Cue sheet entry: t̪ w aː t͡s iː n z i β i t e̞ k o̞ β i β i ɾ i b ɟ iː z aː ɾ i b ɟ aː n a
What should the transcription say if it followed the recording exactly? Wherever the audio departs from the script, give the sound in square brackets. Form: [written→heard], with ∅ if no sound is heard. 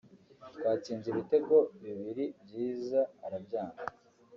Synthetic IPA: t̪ w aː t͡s iː n z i β i t e̞ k o̞ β i β i ɾ i b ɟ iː z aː ɾ [i→a] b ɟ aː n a